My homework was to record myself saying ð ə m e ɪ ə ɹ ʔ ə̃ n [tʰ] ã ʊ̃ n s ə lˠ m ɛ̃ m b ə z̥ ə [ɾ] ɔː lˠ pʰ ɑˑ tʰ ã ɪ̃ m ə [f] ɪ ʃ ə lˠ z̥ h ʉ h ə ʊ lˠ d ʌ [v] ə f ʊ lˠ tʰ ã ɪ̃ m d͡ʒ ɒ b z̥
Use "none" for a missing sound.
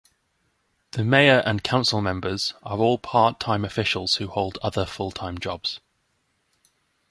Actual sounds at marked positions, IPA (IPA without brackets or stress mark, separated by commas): kʰ, ɹ, f, ð